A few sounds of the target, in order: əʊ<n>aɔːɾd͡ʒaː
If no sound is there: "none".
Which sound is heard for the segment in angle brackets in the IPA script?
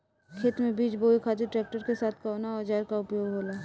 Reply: n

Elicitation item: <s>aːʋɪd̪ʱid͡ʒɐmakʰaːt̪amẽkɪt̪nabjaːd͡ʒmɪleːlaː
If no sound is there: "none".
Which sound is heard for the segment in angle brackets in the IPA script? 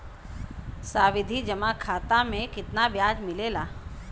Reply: s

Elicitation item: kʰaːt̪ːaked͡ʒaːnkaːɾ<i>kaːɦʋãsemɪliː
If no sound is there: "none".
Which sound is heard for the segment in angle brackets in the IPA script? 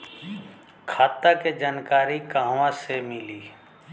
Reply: i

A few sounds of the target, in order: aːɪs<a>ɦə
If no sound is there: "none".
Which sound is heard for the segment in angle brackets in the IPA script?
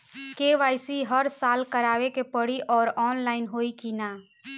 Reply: i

